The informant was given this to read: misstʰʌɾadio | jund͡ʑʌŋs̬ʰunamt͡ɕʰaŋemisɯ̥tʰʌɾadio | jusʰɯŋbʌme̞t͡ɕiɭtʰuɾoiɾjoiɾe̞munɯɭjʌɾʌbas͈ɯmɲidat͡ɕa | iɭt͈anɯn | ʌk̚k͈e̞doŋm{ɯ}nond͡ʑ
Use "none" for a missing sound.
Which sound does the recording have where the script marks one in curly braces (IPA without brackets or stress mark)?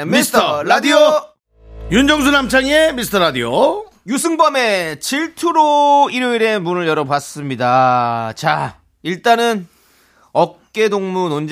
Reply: u